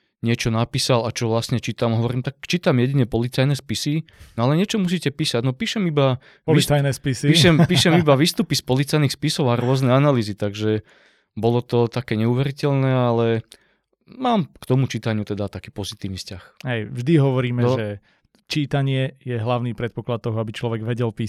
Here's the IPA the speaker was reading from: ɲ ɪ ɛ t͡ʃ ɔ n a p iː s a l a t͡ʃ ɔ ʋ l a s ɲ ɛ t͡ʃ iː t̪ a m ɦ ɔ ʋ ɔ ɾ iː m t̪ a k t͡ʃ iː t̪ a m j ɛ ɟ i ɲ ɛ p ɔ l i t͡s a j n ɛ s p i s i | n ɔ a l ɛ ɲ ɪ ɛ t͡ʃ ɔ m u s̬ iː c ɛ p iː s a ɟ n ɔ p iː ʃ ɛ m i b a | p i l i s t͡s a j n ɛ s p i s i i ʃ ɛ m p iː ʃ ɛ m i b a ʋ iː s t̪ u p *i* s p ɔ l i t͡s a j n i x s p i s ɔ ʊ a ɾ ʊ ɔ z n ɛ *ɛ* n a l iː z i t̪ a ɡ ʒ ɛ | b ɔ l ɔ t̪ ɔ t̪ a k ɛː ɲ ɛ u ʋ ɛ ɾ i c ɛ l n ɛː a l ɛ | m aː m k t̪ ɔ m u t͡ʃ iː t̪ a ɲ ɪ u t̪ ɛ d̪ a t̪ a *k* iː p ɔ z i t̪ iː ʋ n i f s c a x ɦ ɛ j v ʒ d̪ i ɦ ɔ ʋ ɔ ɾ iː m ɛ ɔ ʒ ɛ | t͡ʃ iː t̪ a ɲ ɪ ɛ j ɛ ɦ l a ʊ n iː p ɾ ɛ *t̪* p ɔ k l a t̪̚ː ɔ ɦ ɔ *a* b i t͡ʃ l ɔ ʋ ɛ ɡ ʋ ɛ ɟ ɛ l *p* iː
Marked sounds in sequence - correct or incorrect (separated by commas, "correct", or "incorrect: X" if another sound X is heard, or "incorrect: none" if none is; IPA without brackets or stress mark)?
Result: correct, incorrect: a, correct, correct, correct, correct